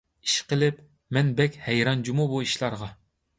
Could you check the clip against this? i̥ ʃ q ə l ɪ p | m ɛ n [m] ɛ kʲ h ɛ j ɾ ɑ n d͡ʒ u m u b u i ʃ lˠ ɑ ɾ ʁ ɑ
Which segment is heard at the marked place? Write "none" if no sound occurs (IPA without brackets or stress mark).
b